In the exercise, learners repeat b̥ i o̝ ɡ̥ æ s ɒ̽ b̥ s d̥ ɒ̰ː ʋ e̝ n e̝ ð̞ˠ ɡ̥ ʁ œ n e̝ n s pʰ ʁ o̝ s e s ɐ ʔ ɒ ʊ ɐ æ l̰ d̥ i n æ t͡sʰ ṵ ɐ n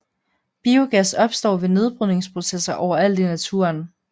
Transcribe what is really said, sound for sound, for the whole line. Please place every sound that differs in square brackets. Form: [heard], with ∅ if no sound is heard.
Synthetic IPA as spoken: b̥ i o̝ ɡ̥ æ s ɒ̽ b̥ s d̥ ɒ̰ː ʋ e̝ n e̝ ð̞ˠ [b̥] ʁ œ n e̝ [ŋ] s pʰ ʁ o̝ s e s ɐ ʔ ɒ ʊ ɐ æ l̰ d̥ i n æ t͡sʰ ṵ ɐ n